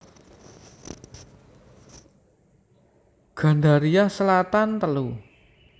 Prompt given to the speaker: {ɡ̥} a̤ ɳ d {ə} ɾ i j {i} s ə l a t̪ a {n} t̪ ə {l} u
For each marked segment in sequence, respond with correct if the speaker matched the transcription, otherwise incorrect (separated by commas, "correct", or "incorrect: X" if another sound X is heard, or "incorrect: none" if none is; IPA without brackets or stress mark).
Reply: correct, incorrect: a, incorrect: a, correct, correct